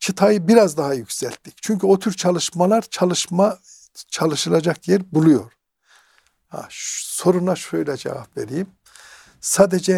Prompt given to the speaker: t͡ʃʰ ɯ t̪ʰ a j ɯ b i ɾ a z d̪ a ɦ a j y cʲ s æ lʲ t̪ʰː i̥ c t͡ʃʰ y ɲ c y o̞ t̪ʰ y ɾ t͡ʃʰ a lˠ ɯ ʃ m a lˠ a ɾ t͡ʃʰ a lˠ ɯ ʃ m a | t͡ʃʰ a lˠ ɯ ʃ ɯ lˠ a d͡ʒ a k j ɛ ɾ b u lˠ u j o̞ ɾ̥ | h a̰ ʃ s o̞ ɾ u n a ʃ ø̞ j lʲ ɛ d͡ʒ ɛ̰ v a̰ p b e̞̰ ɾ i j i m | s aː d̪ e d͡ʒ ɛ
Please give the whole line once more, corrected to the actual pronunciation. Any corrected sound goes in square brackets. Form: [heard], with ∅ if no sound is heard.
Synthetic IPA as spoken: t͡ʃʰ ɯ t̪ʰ a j ɯ b i ɾ a z d̪ a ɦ a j y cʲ s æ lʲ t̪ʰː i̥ c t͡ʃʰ y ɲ c y o̞ t̪ʰ y ɾ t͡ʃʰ a lˠ ɯ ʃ m a lˠ a ɾ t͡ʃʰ a lˠ ɯ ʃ m a | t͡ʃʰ a lˠ ɯ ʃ ɯ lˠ a d͡ʒ a k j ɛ ɾ b u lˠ u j o̞ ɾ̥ | h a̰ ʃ s o̞ ɾ u n a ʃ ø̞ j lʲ ɛ d͡ʒ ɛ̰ v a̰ p [v] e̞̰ ɾ i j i m | s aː d̪ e d͡ʒ ɛ